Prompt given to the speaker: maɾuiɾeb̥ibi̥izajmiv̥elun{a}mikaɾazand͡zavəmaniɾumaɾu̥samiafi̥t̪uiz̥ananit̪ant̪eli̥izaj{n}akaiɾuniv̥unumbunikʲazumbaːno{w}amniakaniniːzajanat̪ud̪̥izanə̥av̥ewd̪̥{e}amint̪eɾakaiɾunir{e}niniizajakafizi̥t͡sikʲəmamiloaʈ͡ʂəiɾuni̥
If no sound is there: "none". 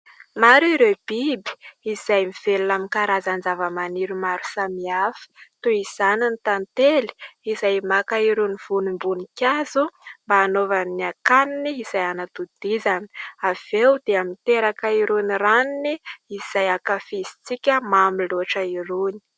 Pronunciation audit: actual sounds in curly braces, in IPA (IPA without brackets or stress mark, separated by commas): a, m, v, e, a